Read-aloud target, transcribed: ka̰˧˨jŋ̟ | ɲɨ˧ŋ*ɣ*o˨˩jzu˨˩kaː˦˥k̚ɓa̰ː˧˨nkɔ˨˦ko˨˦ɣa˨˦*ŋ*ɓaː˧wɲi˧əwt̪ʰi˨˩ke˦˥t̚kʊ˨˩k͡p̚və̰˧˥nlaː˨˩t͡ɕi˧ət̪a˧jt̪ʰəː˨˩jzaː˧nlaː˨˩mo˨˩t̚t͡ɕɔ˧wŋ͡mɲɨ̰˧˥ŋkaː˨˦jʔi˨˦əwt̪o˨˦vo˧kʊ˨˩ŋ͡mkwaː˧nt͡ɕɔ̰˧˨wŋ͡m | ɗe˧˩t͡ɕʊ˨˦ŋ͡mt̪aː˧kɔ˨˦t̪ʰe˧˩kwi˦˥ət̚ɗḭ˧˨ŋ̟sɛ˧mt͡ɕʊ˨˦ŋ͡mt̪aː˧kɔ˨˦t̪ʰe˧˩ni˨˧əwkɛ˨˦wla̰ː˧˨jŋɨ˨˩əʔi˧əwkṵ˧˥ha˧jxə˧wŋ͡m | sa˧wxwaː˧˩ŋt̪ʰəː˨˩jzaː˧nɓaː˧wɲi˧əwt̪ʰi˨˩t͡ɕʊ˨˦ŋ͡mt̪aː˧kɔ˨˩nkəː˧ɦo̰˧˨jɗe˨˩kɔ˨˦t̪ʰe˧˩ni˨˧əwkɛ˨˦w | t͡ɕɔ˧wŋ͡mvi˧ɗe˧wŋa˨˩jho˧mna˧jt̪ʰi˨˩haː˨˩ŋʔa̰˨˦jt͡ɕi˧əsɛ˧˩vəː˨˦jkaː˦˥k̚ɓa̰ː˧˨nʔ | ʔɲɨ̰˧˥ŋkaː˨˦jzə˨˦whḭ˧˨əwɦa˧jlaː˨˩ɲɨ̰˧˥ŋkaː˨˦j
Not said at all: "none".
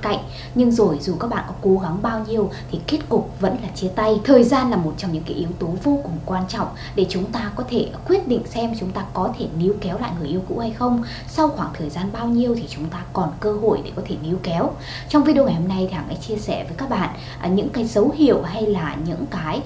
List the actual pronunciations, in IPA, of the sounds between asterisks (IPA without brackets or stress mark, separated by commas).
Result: z, ŋ